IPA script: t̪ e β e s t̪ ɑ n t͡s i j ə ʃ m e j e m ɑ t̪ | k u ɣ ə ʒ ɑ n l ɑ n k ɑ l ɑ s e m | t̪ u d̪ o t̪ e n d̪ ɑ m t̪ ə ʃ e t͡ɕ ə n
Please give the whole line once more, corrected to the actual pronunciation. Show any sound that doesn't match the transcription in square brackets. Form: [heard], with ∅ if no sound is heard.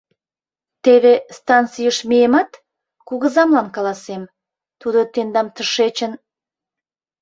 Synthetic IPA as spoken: t̪ e β e s t̪ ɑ n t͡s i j ə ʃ m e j e m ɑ t̪ | k u ɣ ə [z] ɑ [m] l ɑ n k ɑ l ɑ s e m | t̪ u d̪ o t̪ e n d̪ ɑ m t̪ ə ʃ e t͡ɕ ə n